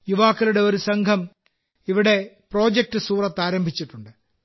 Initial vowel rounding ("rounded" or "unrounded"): rounded